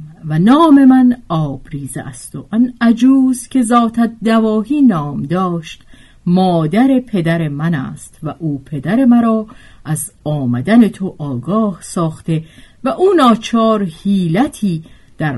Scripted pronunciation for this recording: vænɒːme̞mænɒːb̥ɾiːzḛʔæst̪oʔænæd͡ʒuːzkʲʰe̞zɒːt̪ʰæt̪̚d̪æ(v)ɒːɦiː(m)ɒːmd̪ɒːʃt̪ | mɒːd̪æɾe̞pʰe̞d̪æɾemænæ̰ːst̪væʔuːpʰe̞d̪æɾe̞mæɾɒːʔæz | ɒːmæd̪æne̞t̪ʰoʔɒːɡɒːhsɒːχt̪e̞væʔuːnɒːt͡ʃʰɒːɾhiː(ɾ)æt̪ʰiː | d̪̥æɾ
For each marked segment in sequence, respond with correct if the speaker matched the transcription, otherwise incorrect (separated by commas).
correct, incorrect, incorrect